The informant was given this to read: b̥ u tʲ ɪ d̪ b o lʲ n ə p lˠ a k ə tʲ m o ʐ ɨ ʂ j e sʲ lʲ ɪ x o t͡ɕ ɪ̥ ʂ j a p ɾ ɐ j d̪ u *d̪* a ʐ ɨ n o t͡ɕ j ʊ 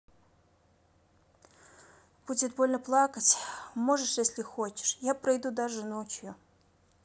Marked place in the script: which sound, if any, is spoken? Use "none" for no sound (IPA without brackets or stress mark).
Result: d̪